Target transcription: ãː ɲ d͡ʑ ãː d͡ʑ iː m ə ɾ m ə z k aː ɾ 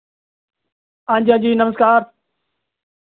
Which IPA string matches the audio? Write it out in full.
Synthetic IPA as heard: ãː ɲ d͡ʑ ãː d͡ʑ iː n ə m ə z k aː ɾ